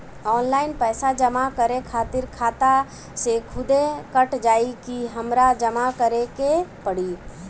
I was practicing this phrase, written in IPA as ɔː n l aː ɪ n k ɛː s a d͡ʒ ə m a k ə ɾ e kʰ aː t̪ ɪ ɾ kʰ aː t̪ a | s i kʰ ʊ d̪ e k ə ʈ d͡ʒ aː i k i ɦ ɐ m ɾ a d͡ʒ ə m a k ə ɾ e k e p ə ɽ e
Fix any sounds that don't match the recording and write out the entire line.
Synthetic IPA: ɔː n l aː ɪ n p ɛː s a d͡ʒ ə m a k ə ɾ e kʰ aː t̪ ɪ ɾ kʰ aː t̪ a | s e kʰ ʊ d̪ e k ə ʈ d͡ʒ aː i k i ɦ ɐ m ɾ a d͡ʒ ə m a k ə ɾ e k e p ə ɽ i